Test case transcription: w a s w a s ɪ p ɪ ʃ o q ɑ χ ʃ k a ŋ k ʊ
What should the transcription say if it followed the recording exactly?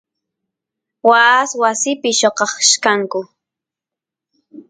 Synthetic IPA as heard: w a s w a s ɪ p ɪ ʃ o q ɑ χ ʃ k a ŋ k ʊ